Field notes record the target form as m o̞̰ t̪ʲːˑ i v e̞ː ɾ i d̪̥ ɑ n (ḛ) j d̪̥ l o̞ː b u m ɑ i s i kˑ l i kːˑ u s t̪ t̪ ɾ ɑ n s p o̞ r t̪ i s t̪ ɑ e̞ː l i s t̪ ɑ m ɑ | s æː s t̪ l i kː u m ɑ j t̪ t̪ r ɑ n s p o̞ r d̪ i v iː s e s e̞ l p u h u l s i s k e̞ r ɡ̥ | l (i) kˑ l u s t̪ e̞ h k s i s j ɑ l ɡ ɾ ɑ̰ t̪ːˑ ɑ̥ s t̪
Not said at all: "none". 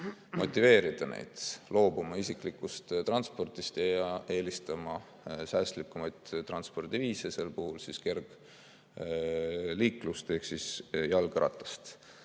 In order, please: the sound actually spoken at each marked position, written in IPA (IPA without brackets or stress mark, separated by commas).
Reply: ḛ, iː